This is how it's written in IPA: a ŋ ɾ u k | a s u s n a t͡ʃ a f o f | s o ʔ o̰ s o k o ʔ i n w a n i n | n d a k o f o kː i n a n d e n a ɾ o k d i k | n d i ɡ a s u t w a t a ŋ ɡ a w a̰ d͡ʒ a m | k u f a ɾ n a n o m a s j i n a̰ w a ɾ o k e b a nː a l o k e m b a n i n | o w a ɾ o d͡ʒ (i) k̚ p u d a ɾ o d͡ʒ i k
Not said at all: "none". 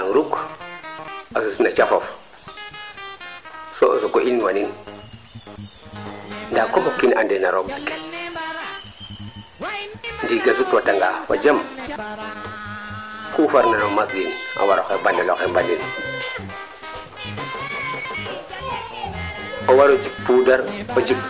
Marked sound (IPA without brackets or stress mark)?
i